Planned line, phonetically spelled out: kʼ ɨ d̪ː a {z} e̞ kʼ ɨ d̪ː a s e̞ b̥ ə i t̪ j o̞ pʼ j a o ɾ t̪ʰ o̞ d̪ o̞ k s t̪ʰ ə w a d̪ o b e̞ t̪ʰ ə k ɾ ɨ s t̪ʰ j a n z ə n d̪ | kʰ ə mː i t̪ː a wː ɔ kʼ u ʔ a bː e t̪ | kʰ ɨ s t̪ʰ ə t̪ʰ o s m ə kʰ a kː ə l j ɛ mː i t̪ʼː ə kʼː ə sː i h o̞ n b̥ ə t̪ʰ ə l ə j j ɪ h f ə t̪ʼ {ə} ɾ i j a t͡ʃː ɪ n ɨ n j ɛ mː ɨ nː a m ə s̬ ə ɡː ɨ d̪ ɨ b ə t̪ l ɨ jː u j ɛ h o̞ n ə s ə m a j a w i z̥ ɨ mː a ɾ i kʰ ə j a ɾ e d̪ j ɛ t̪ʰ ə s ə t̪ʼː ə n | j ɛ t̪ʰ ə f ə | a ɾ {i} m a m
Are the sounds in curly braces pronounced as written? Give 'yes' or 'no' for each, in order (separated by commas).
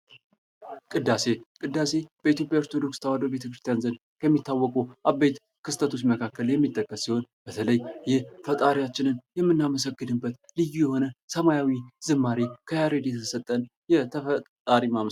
no, no, yes